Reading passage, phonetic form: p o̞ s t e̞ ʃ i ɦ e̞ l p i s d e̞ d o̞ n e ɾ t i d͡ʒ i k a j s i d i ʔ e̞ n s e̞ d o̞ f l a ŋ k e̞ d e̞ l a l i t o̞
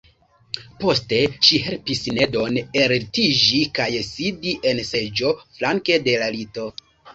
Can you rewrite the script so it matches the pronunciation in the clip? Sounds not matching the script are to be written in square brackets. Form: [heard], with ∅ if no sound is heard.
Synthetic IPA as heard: p o̞ s t e̞ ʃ i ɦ e̞ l p i s [n] e̞ d o̞ n e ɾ t i d͡ʒ i k a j s i d i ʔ e̞ n s e̞ [d͡ʒ] o̞ f l a ŋ k e̞ d e̞ l a l i t o̞

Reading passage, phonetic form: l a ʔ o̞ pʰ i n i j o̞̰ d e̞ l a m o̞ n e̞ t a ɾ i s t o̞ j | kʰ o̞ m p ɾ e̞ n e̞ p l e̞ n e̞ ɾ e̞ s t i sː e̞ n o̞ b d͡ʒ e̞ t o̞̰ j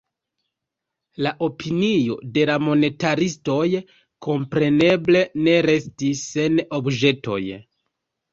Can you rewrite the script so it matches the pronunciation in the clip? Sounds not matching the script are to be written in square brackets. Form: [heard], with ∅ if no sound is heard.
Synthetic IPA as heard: l a ʔ o̞ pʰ i n i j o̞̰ d e̞ l a m o̞ n e̞ t a ɾ i s t o̞ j | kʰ o̞ m p ɾ e̞ n e̞ [b] l e̞ n e̞ ɾ e̞ s t i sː e̞ n o̞ b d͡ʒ e̞ t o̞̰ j

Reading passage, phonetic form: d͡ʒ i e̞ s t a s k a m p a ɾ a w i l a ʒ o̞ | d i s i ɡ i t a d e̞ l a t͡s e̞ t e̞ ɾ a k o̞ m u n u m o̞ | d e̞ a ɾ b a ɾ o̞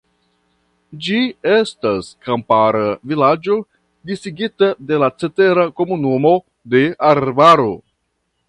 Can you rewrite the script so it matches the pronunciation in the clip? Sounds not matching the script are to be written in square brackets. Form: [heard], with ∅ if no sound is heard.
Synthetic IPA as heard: d͡ʒ i e̞ s t a s k a m p a ɾ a [v] i l a [d͡ʒ] o̞ | d i s i ɡ i t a d e̞ l a t͡s e̞ t e̞ ɾ a k o̞ m u n u m o̞ | d e̞ a ɾ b a ɾ o̞

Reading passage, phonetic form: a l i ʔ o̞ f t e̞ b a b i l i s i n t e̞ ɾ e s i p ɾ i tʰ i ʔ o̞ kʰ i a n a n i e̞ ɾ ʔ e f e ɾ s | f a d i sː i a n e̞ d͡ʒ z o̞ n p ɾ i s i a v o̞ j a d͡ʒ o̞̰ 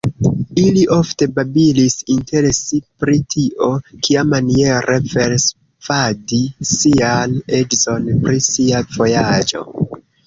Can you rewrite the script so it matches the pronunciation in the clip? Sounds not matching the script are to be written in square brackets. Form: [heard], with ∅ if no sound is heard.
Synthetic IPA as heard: [i] l i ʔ o̞ f t e̞ b a b i l i s i n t e̞ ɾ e s i p ɾ i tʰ i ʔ o̞ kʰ i a [m] a n i e̞ ɾ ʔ e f e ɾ s | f a d i [s] i a n e̞ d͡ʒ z o̞ n p ɾ i s i a v o̞ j a d͡ʒ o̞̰

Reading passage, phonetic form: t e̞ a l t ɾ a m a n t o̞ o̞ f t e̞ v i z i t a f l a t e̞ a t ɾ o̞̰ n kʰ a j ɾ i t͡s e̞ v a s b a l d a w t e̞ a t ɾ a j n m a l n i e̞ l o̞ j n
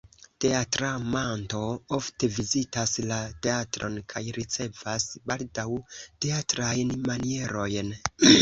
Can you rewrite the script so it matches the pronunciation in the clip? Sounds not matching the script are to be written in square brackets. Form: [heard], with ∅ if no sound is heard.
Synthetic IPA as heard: t e̞ a [∅] t ɾ a m a n t o̞ o̞ f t e̞ v i z i t a [s] l a t e̞ a t ɾ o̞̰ n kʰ a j ɾ i t͡s e̞ v a s b a l d a w t e̞ a t ɾ a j n m a [∅] n i e̞ [ɾ] o̞ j n

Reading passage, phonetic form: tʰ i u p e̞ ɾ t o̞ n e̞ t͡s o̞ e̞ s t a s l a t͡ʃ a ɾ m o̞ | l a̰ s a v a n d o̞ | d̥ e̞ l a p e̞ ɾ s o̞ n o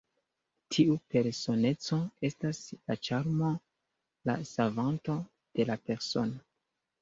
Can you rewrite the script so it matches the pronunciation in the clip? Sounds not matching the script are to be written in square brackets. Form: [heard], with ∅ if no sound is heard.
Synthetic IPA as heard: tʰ i u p e̞ ɾ [s] o̞ n e̞ t͡s o̞ e̞ s t a s l a t͡ʃ a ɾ m o̞ | l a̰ s a v a n [t] o̞ | d̥ e̞ l a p e̞ ɾ s o̞ n o

